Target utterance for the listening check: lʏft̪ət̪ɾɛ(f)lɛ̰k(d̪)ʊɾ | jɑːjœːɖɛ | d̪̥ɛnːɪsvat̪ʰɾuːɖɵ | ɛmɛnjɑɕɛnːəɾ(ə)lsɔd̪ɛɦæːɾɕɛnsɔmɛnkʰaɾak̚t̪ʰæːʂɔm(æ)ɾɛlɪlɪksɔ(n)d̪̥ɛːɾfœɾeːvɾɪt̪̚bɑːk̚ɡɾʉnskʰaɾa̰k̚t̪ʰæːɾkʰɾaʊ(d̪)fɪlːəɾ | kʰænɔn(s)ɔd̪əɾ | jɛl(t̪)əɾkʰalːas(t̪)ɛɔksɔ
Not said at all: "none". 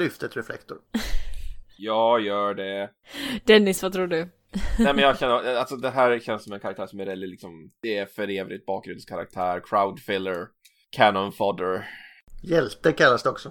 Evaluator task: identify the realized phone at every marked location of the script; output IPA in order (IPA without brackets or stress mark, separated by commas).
f, t̪, a, ɛ, m, d̪, f, t̪, d̪